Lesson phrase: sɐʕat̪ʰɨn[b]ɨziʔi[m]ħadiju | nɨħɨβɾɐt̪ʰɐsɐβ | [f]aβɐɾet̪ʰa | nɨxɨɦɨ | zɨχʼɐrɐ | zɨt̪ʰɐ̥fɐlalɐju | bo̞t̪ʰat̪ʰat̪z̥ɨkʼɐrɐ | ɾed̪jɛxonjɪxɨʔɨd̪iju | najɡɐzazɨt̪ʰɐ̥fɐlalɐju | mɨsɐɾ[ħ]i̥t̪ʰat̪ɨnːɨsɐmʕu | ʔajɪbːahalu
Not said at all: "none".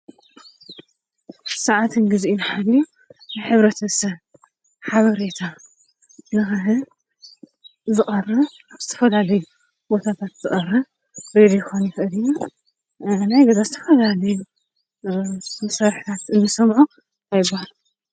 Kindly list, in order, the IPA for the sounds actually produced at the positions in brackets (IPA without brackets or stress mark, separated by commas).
ɡ, n, ħ, ħ